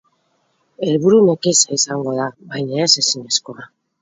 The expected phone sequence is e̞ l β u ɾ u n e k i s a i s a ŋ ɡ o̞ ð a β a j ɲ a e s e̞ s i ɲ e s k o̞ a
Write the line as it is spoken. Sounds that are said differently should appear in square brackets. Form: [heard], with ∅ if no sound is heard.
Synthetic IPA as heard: e̞ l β u ɾ u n e k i s a i s a ŋ ɡ o̞ ð a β a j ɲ a e s e̞ s i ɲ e s k o̞ a